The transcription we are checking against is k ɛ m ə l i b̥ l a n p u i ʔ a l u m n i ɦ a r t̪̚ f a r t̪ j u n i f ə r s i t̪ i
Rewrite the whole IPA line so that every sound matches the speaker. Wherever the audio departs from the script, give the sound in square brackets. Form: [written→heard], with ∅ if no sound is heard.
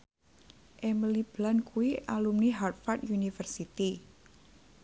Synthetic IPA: [k→ʔ] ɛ m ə l i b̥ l a n [p→k] u i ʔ a l u m n i ɦ a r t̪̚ f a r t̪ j u n i f ə r s i t̪ i